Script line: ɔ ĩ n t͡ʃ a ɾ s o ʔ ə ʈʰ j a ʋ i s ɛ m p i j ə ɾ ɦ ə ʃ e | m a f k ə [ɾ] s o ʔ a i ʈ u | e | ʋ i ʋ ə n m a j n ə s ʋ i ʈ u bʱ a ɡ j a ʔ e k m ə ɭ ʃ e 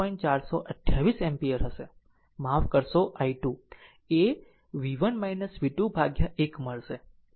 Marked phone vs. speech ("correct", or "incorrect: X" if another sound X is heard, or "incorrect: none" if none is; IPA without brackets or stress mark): correct